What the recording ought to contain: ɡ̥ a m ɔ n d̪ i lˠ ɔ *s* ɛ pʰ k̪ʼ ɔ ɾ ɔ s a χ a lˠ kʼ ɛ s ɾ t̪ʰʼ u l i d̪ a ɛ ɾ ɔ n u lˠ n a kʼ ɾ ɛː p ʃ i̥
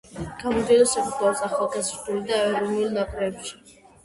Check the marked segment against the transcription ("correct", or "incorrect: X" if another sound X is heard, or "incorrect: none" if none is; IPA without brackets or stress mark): correct